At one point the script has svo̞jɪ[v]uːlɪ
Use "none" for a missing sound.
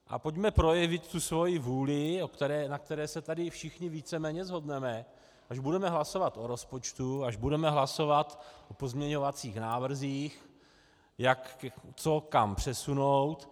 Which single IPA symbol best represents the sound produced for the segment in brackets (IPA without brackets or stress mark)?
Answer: v